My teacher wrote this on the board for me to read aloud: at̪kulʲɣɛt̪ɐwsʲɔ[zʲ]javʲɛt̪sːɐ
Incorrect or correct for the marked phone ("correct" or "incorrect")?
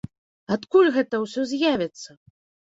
correct